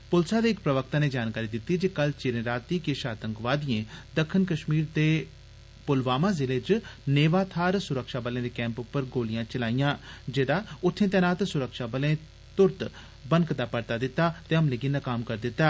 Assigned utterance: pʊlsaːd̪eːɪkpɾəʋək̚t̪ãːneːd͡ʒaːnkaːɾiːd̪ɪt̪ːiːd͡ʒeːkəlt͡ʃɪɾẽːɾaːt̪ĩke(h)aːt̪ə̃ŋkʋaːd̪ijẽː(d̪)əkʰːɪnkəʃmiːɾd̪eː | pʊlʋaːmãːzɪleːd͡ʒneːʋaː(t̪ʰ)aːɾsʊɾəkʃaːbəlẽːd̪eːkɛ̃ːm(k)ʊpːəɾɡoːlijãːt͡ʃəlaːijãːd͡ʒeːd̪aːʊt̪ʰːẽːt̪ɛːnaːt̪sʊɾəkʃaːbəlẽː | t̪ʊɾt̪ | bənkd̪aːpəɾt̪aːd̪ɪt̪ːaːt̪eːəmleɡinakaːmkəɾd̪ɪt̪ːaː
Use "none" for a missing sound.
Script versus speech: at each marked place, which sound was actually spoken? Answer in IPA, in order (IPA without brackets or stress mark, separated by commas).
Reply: ʃ, d̪, t̪ʰ, p